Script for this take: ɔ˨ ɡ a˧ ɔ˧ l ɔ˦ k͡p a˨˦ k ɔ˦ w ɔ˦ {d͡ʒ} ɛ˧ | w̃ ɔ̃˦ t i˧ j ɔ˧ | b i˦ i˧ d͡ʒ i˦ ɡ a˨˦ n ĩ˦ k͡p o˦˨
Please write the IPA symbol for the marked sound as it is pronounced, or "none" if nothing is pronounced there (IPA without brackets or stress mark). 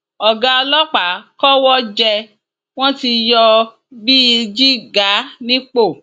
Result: d͡ʒ